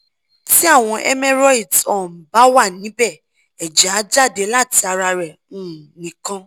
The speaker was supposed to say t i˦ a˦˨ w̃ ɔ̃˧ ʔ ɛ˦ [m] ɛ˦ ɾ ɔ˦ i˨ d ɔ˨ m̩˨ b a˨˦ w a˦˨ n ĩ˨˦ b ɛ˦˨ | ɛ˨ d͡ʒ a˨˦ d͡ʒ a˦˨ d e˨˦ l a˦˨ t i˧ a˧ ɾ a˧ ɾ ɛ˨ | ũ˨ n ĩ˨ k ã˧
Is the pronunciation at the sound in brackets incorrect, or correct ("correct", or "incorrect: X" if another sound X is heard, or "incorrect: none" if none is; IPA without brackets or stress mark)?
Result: correct